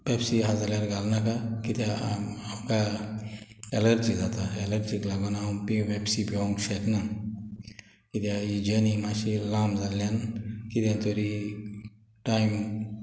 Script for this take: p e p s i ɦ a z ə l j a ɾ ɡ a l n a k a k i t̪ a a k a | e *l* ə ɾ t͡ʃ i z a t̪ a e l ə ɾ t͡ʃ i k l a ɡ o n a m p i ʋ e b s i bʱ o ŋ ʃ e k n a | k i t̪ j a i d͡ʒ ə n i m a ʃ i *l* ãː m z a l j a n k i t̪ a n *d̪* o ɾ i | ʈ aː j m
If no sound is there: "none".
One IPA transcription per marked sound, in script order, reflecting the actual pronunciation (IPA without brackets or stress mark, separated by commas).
l, l, t̪